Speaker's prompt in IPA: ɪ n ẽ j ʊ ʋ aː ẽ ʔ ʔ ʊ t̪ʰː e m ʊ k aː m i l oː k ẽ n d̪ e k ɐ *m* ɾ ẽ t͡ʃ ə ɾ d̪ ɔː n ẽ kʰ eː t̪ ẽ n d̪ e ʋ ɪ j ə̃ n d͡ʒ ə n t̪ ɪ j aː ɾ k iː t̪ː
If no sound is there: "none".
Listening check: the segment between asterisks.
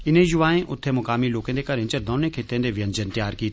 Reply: none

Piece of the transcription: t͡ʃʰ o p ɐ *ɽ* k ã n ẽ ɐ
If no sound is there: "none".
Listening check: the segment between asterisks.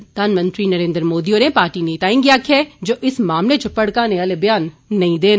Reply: ɽ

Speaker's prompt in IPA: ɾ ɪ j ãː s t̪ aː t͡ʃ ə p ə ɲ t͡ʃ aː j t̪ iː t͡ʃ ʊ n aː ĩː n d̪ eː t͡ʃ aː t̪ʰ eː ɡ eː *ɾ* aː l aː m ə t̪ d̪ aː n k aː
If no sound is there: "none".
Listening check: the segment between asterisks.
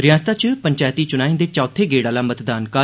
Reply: ɽ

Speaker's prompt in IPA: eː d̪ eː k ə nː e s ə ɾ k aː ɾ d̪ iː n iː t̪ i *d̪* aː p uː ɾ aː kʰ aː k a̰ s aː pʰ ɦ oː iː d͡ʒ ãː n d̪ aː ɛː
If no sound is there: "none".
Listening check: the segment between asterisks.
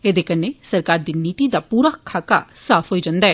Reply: d̪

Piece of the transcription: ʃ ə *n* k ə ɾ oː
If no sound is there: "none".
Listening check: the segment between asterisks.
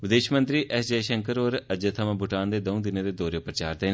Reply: ŋ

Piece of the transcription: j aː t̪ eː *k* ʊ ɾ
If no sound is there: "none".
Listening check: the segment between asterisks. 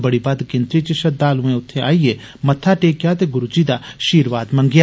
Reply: ɡ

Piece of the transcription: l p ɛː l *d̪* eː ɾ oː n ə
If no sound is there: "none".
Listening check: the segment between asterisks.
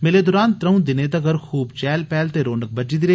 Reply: t̪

